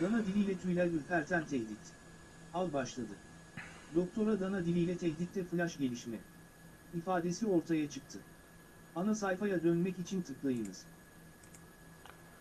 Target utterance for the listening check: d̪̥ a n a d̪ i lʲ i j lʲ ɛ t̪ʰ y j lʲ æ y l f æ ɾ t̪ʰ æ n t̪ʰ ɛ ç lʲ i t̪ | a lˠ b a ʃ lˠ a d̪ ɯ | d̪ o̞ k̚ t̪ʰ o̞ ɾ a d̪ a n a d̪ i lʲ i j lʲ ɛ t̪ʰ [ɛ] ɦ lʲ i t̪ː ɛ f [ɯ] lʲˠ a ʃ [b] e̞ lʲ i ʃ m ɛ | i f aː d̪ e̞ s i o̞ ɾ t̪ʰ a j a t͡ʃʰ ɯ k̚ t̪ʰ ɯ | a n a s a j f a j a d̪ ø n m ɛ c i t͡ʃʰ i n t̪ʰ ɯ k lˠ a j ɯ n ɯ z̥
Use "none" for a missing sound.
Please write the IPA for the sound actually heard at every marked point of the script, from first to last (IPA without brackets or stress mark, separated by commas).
ɛ, ɯ, ɟ